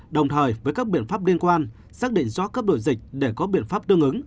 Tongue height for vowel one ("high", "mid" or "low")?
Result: mid